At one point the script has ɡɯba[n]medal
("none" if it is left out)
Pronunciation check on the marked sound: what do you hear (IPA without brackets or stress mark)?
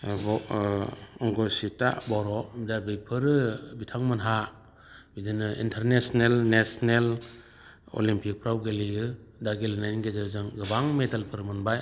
ŋ